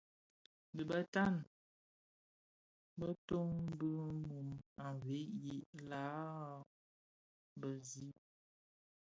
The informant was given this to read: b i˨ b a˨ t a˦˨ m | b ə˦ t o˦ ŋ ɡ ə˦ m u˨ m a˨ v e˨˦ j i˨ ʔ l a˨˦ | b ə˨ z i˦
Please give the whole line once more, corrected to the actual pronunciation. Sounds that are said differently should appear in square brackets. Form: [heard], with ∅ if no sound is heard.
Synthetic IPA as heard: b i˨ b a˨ t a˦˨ [n] | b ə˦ t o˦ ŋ [b] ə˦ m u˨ m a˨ v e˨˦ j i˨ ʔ l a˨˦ | b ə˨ z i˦